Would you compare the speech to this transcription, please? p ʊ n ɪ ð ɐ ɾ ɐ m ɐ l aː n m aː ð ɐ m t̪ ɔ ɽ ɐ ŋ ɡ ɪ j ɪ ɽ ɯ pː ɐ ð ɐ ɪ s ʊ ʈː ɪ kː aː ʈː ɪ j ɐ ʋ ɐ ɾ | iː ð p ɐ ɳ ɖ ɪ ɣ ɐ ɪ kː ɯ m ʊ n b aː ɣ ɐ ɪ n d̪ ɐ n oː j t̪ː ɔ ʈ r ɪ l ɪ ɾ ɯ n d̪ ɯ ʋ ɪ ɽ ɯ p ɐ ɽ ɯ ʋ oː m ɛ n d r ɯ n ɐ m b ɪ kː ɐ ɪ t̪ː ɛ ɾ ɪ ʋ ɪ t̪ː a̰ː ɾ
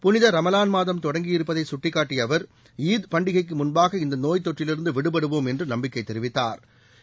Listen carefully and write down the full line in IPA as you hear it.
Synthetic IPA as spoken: p ʊ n ɪ ð ɐ ɾ ɐ m ɐ l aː n m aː ð ɐ m t̪ ɔ ɽ ɐ ŋ ɡ ɪ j ɪ ɾ ɯ pː ɐ ð ɐ ɪ s ʊ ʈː ɪ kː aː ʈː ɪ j ɐ ʋ ɐ ɾ | iː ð p ɐ ɳ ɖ ɪ ɣ ɐ ɪ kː ɯ m ʊ n b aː ɣ ɐ ɪ n d̪ ɐ n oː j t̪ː ɔ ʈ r ɪ l ɪ ɾ ɯ n d̪ ɯ ʋ ɪ ɽ ɯ p ɐ ɽ ɯ ʋ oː m ɛ n d r ɯ n ɐ m b ɪ kː ɐ ɪ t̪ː ɛ ɾ ɪ ʋ ɪ t̪ː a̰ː ɾ

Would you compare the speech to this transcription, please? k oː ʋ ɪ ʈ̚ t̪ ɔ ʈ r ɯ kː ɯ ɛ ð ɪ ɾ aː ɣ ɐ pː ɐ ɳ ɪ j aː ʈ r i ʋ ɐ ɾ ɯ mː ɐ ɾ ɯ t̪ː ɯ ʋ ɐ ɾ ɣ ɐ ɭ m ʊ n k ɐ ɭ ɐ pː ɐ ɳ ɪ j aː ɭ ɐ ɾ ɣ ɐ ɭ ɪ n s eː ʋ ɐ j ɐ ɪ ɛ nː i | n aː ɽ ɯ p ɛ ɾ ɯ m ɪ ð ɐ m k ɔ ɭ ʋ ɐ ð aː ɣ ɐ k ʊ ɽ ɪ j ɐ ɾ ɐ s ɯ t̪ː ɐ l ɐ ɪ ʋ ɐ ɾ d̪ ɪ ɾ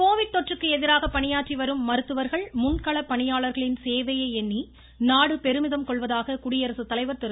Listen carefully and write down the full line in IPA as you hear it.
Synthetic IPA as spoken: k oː ʋ ɪ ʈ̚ t̪ ɔ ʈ r ɯ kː ɯ ɛ ð ɪ ɾ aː ɣ ɐ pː ɐ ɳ ɪ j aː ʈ r i ʋ ɐ ɾ ɯ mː ɐ ɾ ɯ t̪ː ɯ ʋ ɐ ɾ ɣ ɐ ɭ m ʊ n k ɐ ɭ ɐ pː ɐ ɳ ɪ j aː ɭ ɐ ɾ ɣ ɐ ɭ ɪ n s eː ʋ ɐ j ɐ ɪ ɛ nː i | n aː ɽ ɯ p ɛ ɾ ɯ m ɪ ð ɐ m k ɔ ɭ ʋ ɐ ð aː ɣ ɐ k ʊ ɽ ɪ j ɐ ɾ ɐ s ɯ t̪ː ɐ l ɐ ɪ ʋ ɐ ɾ t̪ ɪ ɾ

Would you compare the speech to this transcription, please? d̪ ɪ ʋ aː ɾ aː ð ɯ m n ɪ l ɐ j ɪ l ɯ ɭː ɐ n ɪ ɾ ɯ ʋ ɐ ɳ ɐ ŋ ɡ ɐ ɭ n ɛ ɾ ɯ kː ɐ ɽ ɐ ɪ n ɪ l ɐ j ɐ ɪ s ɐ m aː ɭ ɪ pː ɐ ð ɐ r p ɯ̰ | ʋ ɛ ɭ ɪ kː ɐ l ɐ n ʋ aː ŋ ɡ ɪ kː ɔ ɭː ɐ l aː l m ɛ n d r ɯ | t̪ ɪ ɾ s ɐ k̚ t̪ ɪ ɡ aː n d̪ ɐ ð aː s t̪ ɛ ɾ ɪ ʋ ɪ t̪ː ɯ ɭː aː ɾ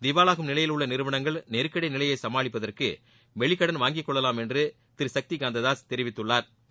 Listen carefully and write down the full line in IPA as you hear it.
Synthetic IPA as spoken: d̪ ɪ ʋ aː l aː ɣ ɯ m n ɪ l ɐ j ɪ l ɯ ɭː ɐ n ɪ ɾ ɯ ʋ ɐ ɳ ɐ ŋ ɡ ɐ ɭ n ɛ ɾ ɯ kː ɐ ɽ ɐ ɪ n ɪ l ɐ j ɐ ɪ s ɐ m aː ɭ ɪ pː ɐ ð ɐ r k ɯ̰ | ʋ ɛ ɭ ɪ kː ɐ ɽ ɐ n ʋ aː ŋ ɡ ɪ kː ɔ ɭː ɐ l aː m ɛ n d r ɯ | t̪ ɪ ɾ s ɐ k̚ t̪ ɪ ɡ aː n d̪ ɐ ð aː s t̪ ɛ ɾ ɪ ʋ ɪ t̪ː ɯ ɭː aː ɾ

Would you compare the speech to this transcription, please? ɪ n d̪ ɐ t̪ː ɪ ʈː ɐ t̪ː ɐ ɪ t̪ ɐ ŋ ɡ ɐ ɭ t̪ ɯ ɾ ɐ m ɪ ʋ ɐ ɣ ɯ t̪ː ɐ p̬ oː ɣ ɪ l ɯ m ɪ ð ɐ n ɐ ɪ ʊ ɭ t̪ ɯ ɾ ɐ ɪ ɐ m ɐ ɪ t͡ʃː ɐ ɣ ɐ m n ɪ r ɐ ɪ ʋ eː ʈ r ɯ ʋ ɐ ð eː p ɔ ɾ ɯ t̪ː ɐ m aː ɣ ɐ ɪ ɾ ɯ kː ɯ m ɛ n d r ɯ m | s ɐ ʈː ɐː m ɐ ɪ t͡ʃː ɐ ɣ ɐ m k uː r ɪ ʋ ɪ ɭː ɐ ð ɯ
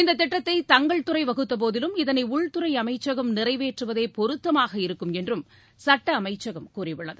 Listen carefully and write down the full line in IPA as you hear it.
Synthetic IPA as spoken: ɪ n d̪ ɐ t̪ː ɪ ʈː ɐ t̪ː ɐ ɪ t̪ ɐ ŋ ɡ ɐ ɭ t̪ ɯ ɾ ɐ ɪ ʋ ɐ ɣ ɯ t̪ː ɐ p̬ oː ð ɪ l ɯ m ɪ ð ɐ n ɐ ɪ ʊ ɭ t̪ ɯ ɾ ɐ ɪ ɐ m ɐ ɪ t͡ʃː ɐ ɣ ɐ m n ɪ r ɐ ɪ ʋ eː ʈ r ɯ ʋ ɐ ð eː p ɔ ɾ ɯ t̪ː ɐ m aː ɣ ɐ ɪ ɾ ɯ kː ɯ m ɛ n d r ɯ m | s ɐ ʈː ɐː m ɐ ɪ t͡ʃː ɐ ɣ ɐ m k uː r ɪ ʋ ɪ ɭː ɐ ð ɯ

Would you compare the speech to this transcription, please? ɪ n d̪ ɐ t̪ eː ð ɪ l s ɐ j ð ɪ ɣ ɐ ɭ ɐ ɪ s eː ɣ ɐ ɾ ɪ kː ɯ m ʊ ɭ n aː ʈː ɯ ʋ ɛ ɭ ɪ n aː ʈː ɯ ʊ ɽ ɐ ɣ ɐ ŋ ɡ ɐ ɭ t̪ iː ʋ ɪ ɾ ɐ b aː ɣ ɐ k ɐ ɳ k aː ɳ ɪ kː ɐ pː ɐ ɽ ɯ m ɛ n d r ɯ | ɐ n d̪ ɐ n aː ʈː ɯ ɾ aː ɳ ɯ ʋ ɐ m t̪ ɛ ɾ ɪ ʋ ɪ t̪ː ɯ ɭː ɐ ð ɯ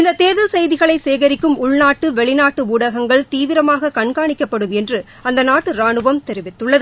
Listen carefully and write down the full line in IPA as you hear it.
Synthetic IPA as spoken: ɪ n d̪ ɐ t̪ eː ð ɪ l s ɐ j ð ɪ ɣ ɐ ɭ ɐ ɪ s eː ɣ ɐ ɾ ɪ kː ɯ m ʊ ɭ n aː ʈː ɯ ʋ ɛ ɭ ɪ n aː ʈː ɯ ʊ ɽ ɐ ɣ ɐ ŋ ɡ ɐ ɭ t̪ iː ʋ ɪ ɾ ɐ m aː ɣ ɐ k ɐ ɳ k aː ɳ ɪ kː ɐ pː ɐ ɽ ɯ m ɛ n d r ɯ | ɐ n d̪ ɐ n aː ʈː ɯ ɾ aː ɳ ɯ ʋ ɐ m t̪ ɛ ɾ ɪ ʋ ɪ t̪ː ɯ ɭː ɐ ð ɯ

